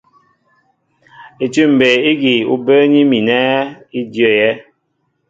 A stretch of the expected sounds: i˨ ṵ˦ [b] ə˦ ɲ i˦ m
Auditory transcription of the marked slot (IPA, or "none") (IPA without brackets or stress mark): b